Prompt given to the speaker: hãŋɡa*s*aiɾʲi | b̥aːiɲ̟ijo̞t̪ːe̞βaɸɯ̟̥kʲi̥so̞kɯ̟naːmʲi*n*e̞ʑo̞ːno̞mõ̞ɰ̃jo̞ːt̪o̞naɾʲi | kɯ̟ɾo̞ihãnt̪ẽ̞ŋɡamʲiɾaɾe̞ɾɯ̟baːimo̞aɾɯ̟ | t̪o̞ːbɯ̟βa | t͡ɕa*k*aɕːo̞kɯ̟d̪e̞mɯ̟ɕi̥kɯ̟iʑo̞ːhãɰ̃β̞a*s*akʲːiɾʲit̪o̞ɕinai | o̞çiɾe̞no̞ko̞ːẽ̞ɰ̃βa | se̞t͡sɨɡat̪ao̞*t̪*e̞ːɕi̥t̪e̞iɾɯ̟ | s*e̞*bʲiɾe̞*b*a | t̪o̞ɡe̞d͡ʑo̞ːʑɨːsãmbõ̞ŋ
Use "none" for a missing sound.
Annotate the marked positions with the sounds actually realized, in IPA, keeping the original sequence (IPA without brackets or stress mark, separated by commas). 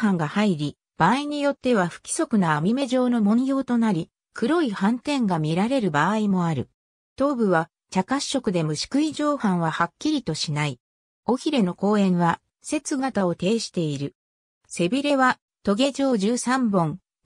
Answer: h, m, k, h, t̪, e̞, β